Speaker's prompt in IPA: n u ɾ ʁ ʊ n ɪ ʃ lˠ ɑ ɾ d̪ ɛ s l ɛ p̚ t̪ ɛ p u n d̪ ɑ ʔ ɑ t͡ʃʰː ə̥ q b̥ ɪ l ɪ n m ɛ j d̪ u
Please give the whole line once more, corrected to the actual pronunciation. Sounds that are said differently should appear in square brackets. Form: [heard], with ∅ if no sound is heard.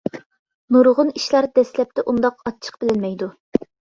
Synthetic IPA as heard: n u ɾ ʁ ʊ n [i] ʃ lˠ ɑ ɾ d̪ ɛ s l ɛ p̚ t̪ ɛ [ʔ] u n d̪ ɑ [q] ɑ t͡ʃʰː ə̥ q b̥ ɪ l ɪ n m ɛ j d̪ u